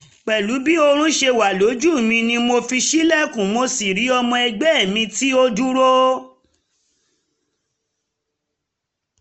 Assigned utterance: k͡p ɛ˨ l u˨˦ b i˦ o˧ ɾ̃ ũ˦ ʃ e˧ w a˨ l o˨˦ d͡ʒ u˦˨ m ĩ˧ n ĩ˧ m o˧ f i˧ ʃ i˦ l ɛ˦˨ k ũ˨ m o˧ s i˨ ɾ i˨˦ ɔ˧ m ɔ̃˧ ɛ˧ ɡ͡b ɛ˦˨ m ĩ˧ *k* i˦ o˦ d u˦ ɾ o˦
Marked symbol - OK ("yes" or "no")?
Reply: no